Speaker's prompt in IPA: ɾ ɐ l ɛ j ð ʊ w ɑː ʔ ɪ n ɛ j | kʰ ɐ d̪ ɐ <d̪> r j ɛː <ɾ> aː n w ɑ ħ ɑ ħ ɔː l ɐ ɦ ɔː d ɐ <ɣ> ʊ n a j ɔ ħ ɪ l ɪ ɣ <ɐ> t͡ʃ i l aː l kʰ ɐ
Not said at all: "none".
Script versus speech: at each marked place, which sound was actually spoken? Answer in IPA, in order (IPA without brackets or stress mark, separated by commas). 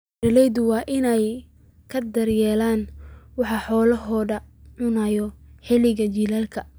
none, l, ʕ, ɐ